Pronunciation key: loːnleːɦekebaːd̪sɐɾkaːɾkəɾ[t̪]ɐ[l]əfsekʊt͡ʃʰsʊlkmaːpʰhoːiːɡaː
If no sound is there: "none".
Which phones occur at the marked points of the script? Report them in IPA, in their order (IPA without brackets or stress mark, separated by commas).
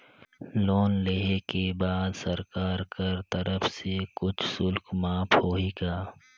t̪, ɾ